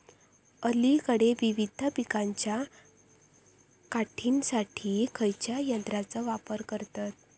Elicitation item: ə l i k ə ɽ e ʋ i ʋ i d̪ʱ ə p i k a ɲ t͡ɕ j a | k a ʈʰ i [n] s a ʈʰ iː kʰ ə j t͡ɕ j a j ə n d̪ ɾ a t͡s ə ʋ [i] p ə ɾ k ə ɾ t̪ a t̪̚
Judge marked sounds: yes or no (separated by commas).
yes, no